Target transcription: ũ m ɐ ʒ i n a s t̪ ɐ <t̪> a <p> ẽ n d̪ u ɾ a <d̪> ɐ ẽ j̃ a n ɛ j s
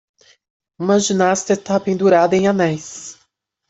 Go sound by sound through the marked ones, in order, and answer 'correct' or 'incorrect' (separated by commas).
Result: correct, correct, correct